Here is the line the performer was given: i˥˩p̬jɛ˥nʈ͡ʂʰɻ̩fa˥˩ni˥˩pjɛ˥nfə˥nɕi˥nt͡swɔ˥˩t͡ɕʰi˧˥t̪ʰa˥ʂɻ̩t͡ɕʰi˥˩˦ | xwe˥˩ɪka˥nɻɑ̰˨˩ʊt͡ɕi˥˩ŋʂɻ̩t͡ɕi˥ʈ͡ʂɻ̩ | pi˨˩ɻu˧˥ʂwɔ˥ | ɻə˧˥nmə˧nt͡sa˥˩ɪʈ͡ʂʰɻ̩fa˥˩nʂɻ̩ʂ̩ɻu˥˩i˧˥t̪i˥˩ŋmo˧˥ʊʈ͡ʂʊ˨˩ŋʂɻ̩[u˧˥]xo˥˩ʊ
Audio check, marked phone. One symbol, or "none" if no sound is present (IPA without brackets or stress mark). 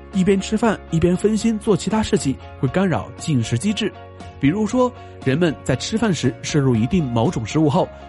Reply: u˥˧